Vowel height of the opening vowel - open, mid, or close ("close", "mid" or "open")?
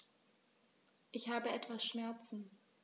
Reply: close